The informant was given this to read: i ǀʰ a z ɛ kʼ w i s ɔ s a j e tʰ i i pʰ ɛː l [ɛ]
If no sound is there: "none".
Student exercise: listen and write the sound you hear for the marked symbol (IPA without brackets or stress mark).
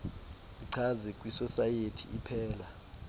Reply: a